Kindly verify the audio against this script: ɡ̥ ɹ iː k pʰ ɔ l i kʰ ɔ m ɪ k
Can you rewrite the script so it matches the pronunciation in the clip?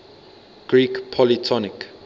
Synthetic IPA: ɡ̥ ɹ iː k pʰ ɔ l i tʰ ɔ n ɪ k